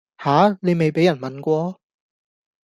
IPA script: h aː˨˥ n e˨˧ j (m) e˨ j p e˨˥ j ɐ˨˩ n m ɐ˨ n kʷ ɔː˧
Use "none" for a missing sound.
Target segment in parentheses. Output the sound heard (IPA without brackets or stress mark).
m